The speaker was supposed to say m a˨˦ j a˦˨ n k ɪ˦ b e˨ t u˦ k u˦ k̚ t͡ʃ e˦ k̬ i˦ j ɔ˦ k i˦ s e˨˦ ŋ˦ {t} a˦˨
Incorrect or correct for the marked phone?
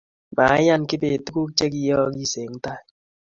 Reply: correct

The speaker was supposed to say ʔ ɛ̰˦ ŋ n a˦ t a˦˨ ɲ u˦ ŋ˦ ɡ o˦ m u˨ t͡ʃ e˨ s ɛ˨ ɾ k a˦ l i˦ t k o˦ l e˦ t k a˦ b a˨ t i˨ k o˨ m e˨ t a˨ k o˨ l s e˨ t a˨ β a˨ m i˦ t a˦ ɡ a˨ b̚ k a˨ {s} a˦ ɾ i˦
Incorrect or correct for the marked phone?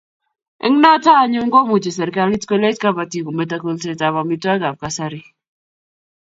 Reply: correct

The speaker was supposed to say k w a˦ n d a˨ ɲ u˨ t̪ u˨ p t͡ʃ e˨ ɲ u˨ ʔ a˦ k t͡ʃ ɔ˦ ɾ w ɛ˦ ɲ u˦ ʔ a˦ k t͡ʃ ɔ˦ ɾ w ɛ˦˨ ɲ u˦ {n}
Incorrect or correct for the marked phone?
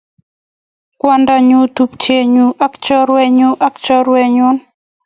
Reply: correct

